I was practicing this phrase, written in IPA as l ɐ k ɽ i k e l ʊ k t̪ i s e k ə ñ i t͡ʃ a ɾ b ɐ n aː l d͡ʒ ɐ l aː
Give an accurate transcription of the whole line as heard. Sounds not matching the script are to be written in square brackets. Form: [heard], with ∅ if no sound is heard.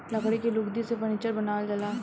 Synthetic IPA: l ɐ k ɽ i k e l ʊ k [d̪] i s e [p] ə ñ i t͡ʃ [ə] ɾ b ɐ n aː l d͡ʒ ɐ l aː